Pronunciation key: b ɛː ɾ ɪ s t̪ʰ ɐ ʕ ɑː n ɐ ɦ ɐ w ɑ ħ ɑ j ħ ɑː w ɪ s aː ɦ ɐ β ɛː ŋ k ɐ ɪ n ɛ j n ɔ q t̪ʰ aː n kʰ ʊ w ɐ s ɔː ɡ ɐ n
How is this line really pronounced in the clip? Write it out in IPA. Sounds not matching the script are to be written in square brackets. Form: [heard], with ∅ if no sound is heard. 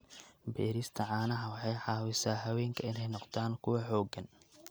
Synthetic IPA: b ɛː ɾ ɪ s t̪ʰ ɐ ʕ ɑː n ɐ ɦ ɐ w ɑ ħ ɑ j ħ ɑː w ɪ s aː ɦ ɐ [w] ɛː ŋ [kʰ] ɐ ɪ n ɛ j n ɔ q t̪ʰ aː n kʰ ʊ w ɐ [ħ] ɔː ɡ ɐ n